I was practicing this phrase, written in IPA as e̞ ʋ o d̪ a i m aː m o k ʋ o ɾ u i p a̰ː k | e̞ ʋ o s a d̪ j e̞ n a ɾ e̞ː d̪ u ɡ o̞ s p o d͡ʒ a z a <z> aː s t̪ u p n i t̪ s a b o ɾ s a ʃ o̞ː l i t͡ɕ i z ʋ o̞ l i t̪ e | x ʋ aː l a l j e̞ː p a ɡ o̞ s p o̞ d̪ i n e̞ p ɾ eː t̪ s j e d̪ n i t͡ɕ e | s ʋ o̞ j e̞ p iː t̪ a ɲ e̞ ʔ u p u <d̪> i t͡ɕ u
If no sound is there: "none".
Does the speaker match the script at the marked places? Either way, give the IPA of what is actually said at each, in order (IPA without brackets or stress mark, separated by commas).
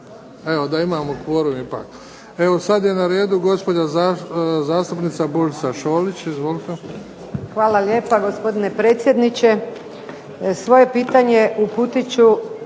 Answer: z, t̪